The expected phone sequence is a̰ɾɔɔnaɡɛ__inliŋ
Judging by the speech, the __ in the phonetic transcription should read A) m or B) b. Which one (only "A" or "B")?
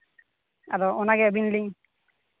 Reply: B